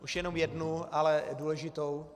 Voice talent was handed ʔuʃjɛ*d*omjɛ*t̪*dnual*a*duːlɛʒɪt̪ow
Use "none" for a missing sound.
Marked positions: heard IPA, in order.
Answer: n, none, ɛ

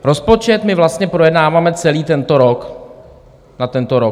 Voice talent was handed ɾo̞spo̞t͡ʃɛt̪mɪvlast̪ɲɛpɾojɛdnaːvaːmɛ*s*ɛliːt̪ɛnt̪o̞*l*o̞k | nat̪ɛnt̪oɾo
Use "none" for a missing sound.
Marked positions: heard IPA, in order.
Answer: t͡s, ɾ

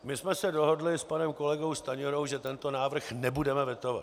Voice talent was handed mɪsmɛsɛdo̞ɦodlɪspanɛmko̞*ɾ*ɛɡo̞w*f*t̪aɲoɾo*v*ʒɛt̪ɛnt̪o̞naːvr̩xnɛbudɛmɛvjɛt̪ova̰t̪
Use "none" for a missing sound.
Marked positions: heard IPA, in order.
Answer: l, s, w

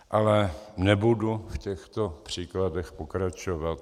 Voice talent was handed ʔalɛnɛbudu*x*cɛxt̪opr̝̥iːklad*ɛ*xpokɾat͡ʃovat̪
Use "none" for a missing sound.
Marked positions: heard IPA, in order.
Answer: f, ɛ

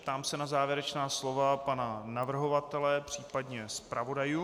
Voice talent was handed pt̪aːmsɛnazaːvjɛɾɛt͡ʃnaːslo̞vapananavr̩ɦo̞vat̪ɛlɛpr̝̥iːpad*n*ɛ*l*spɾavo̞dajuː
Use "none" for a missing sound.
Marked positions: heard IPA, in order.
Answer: ɲ, none

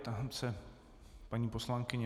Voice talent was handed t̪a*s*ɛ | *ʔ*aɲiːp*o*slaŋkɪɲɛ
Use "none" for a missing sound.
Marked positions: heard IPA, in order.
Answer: s, p, o

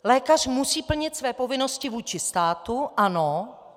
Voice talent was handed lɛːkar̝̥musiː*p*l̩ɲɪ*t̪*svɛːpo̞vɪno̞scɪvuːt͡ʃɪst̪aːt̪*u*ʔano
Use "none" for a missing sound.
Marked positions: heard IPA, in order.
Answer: p, t̪, u

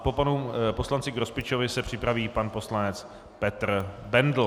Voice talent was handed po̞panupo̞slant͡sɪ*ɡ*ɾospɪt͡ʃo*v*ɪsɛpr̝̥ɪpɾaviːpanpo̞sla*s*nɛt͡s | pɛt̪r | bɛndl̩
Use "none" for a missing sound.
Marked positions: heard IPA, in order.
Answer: ɡ, v, none

